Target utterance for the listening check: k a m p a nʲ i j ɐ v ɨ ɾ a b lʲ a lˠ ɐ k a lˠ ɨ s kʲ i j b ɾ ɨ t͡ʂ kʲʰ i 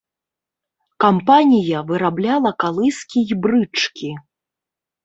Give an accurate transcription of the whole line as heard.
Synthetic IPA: k a m p a nʲ i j ɐ v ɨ ɾ a b lʲ a lˠ ɐ k a lˠ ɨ s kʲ i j b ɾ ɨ t͡ʂ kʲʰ i